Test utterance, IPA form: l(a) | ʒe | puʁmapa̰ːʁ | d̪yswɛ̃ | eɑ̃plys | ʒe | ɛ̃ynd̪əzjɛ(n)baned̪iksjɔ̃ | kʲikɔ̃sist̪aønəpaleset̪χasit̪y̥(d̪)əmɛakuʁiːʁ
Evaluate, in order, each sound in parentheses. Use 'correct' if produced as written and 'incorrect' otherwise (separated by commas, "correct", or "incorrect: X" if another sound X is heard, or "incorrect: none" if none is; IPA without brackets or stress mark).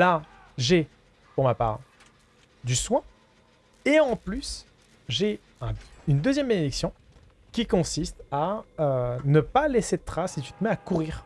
correct, incorrect: m, incorrect: t̪